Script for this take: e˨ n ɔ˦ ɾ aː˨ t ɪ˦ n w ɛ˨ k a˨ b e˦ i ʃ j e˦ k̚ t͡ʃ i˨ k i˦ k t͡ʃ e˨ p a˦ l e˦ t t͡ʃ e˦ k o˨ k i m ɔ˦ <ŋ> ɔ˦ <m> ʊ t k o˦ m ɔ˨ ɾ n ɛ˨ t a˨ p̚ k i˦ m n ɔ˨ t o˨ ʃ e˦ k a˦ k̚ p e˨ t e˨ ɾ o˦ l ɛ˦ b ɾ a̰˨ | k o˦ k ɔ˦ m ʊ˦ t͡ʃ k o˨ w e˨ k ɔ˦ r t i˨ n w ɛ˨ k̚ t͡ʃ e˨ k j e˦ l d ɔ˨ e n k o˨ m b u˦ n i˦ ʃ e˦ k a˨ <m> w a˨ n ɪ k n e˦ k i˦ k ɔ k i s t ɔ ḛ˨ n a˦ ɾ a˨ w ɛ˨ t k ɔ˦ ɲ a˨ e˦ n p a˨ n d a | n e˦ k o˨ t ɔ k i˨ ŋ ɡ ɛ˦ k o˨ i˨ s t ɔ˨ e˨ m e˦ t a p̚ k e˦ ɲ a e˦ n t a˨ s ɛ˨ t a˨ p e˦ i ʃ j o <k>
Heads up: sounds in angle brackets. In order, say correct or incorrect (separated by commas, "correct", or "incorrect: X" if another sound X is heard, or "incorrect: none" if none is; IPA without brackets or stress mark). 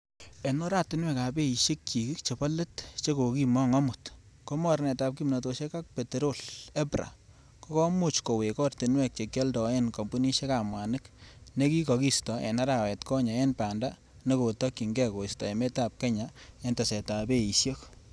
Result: correct, correct, correct, correct